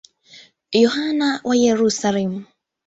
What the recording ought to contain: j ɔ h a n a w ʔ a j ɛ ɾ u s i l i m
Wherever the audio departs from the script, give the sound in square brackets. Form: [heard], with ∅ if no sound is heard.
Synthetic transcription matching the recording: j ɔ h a n a w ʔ a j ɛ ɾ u s [a] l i m